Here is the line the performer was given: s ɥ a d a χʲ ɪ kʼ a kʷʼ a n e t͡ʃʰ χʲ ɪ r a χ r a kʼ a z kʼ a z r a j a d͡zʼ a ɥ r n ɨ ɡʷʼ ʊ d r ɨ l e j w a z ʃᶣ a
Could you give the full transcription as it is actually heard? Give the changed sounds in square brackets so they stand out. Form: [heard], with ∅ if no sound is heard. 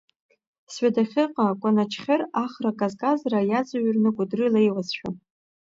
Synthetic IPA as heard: s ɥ a d a χʲ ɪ [qʼ] a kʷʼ a n [a] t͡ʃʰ χʲ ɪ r a χ r a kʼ a z kʼ a z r a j a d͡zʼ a ɥ r n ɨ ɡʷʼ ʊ d r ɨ l e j w a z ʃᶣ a